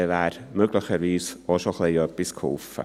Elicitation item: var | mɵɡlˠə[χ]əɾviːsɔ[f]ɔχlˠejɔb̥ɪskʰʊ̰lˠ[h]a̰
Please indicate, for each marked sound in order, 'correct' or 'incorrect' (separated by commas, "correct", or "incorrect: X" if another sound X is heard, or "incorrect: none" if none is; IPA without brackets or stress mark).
correct, incorrect: ʃ, incorrect: f